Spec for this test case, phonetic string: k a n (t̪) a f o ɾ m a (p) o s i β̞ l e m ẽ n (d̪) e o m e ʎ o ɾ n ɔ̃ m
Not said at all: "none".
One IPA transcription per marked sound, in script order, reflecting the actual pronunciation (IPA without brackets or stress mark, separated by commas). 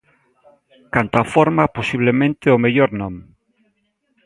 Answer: t̪, p, t̪